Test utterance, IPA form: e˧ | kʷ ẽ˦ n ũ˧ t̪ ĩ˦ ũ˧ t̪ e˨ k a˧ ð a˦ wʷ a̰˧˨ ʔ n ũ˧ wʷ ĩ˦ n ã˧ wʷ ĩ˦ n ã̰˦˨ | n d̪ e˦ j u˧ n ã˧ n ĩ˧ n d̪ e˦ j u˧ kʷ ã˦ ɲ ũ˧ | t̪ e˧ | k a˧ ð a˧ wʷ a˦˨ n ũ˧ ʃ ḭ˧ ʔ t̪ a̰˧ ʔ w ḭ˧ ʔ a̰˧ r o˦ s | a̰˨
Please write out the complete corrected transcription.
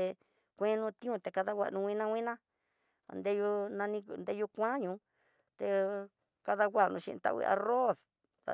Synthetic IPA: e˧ | kʷ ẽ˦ n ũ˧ t̪ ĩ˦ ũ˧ t̪ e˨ k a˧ ð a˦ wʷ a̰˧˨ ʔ n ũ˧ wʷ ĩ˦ n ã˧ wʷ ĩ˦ n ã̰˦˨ | n d̪ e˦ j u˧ n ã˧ n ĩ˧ n d̪ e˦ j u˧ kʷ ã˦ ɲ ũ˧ | t̪ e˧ | k a˧ ð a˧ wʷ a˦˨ n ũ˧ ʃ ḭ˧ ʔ t̪ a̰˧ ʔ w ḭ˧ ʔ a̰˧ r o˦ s | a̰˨